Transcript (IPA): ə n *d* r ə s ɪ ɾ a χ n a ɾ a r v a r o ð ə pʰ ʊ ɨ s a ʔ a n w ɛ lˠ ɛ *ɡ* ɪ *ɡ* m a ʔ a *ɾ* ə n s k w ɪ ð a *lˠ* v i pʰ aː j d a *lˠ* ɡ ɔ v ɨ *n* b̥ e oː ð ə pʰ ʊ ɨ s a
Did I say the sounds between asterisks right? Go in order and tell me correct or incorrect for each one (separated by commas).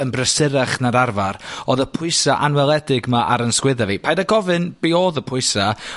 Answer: incorrect, incorrect, correct, correct, incorrect, incorrect, correct